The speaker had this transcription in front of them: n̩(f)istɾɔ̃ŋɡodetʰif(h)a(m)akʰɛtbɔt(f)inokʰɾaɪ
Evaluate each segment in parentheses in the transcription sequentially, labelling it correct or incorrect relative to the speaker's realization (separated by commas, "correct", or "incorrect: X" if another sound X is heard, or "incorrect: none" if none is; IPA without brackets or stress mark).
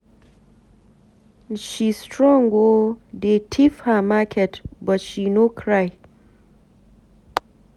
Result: incorrect: ʃ, correct, correct, incorrect: ʃ